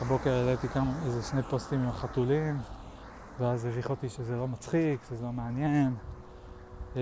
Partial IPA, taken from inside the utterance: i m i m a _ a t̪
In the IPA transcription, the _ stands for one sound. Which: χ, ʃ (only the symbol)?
χ